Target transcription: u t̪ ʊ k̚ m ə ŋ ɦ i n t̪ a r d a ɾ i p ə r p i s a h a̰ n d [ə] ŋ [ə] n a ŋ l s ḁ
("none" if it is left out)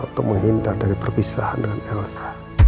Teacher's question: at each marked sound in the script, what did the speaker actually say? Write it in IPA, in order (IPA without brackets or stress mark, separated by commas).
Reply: ə, a